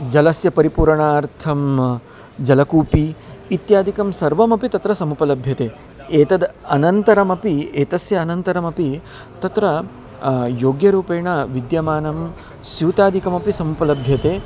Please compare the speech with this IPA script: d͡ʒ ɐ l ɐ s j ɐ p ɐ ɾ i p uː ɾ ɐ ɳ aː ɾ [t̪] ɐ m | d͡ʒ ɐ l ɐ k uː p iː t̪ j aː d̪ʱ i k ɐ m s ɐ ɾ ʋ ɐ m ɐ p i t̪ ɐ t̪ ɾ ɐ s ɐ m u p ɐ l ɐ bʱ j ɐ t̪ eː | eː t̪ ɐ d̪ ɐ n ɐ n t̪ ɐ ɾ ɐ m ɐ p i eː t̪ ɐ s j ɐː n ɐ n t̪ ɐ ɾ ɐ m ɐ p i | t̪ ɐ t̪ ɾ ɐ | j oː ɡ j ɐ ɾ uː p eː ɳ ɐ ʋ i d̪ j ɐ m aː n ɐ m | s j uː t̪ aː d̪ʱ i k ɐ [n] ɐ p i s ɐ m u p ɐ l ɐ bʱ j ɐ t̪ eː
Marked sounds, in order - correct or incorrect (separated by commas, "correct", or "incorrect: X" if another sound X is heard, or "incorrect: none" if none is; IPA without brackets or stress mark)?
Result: incorrect: t̪ʰ, incorrect: m